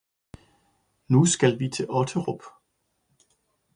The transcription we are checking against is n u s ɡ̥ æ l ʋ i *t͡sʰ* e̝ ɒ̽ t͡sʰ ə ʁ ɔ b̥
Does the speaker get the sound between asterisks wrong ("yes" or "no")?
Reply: no